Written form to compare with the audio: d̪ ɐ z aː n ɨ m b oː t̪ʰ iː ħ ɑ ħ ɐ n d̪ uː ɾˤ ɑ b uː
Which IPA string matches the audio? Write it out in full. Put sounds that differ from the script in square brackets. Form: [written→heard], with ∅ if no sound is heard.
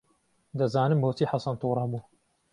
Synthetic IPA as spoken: d̪ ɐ z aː n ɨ m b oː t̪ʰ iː ħ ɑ [ħ→s] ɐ n [d̪→t̪] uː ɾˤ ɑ b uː